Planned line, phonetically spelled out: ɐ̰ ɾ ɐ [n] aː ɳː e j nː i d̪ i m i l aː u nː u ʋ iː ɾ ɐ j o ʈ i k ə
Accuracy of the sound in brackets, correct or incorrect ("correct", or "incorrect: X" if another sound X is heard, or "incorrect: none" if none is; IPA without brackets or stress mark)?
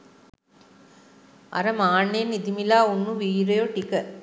incorrect: m